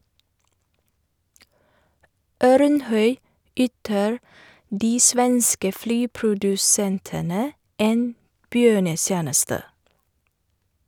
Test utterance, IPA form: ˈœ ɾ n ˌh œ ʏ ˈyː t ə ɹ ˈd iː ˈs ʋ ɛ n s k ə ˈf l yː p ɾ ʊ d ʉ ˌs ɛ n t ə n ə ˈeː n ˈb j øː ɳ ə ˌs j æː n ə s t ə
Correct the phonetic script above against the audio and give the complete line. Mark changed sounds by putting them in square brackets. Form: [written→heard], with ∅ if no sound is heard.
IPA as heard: ˈœ ɾ n ˌh œ ʏ ˈyː t ə ɹ ˈd iː ˈs ʋ ɛ n s k ə ˈf l yː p ɾ ʊ d ʉ ˌs ɛ n t ə n ə ˈeː n ˈb j øː ɳ ə ˌs j æː n ə s t ə